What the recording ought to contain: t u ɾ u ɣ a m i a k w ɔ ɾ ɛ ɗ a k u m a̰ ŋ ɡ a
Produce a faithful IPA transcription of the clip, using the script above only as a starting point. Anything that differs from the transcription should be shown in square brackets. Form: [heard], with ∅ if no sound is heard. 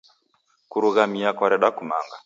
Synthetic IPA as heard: [k] u ɾ u ɣ a m i a k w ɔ ɾ ɛ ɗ a k u m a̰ ŋ ɡ a